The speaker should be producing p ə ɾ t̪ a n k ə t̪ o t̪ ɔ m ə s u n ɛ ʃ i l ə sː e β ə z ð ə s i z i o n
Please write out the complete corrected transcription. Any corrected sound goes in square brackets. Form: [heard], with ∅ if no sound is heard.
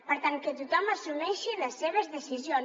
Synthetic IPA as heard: p ə ɾ t̪ a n k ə t̪ [u] t̪ ɔ m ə s u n ɛ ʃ i l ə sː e β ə z ð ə s i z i o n